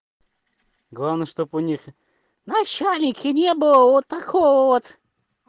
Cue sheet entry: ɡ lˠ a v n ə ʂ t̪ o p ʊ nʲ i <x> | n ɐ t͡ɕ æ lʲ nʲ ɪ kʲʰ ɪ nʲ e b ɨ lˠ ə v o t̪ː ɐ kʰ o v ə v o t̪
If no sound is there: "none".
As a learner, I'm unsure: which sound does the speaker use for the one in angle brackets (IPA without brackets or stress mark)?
x